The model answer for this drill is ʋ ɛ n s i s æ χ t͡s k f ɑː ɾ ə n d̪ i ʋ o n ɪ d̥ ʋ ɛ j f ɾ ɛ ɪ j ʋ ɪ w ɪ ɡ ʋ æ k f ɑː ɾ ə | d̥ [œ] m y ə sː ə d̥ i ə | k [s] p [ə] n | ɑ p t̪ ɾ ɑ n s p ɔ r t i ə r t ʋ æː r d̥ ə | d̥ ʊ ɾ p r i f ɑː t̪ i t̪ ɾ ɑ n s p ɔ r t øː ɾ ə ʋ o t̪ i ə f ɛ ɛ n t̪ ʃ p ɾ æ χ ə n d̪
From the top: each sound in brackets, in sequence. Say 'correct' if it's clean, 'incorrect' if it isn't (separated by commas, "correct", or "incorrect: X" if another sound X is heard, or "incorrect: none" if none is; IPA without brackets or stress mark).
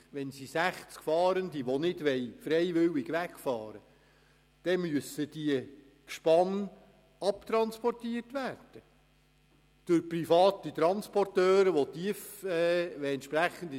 incorrect: ɛ, incorrect: ʃ, incorrect: ɑ